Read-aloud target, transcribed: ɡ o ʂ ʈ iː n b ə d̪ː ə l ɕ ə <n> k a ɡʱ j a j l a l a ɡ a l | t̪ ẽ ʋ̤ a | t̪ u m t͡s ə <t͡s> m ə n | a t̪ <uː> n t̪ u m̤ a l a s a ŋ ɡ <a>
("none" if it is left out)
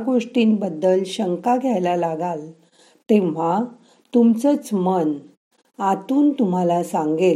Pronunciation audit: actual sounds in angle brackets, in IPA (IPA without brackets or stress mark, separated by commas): ŋ, t͡s, uː, e